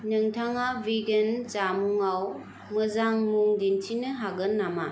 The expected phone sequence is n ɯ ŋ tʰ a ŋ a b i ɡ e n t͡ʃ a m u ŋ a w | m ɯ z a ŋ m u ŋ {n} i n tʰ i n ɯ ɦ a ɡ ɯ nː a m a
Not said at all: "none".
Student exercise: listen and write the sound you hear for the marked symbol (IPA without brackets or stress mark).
d